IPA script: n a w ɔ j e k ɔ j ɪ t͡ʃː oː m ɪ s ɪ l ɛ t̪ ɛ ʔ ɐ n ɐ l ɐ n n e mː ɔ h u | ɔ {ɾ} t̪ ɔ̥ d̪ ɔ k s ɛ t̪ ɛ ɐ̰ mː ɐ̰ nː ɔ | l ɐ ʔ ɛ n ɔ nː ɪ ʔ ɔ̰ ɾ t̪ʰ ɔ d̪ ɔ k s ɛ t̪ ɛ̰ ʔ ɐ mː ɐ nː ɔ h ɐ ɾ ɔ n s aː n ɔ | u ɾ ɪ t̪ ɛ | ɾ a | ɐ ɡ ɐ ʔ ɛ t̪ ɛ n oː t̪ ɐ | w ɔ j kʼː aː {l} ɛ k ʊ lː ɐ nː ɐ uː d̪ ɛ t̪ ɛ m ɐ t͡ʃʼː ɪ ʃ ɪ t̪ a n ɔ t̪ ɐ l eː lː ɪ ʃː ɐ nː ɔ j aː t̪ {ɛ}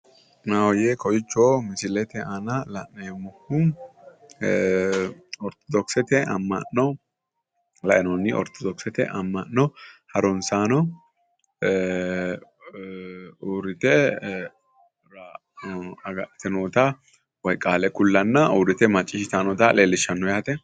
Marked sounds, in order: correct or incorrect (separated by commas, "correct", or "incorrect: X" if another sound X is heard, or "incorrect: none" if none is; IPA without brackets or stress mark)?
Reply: correct, correct, correct